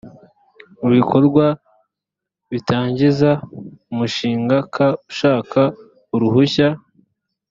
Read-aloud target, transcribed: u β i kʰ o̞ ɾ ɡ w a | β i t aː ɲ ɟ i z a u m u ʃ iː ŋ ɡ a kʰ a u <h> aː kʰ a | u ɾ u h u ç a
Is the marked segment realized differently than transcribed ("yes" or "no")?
yes